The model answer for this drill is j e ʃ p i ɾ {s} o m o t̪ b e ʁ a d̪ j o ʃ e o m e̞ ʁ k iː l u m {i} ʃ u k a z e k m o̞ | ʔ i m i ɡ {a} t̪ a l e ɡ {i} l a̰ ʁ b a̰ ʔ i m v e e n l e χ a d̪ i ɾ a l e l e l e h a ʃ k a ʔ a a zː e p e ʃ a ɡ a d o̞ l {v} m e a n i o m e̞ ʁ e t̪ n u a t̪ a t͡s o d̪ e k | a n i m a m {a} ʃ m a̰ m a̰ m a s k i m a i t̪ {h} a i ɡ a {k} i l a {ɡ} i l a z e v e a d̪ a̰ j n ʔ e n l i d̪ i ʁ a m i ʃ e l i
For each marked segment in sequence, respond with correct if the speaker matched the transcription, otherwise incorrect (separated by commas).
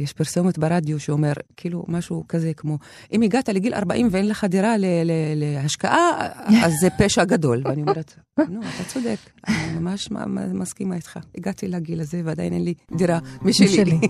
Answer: correct, incorrect, correct, correct, correct, correct, incorrect, incorrect, correct